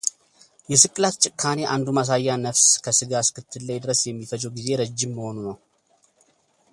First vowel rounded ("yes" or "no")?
no